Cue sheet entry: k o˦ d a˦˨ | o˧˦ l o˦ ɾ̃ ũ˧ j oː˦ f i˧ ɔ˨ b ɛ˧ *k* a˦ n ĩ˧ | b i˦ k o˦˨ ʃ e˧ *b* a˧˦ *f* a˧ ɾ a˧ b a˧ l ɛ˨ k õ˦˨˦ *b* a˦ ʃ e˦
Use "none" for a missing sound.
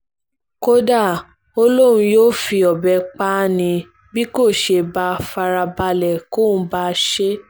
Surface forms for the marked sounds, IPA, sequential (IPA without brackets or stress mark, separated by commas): k͡p, b, f, b